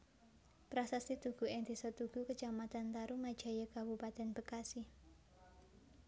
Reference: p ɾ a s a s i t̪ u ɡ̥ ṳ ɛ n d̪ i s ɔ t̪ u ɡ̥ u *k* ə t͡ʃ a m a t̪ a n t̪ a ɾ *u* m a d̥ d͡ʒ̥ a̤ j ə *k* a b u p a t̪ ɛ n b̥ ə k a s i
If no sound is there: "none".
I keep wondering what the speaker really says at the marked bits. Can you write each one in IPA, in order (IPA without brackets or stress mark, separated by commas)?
k, u, k